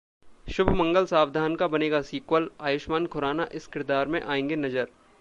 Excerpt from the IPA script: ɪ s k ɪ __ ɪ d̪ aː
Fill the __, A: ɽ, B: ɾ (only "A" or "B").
B